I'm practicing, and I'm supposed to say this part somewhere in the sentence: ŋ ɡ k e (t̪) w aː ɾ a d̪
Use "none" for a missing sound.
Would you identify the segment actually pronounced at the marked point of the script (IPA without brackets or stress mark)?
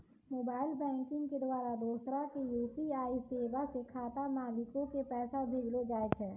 d̪